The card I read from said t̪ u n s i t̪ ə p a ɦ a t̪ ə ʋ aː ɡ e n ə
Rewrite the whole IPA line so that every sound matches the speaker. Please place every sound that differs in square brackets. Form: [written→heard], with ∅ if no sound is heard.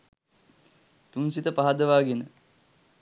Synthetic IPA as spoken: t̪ u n s i t̪ ə p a ɦ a [t̪→d̪] ə ʋ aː ɡ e n ə